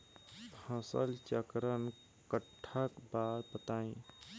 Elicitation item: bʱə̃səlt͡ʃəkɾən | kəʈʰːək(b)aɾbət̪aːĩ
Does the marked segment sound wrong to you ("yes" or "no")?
no